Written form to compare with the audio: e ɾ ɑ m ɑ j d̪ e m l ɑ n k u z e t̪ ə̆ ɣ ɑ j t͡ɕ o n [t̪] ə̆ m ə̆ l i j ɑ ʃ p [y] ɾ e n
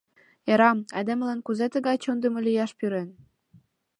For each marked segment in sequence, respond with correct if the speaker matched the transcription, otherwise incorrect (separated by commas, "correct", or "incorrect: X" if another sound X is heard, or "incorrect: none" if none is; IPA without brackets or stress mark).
incorrect: d̪, correct